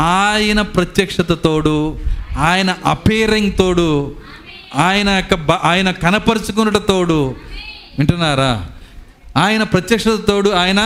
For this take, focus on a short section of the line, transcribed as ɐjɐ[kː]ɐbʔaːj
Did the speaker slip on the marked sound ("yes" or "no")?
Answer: no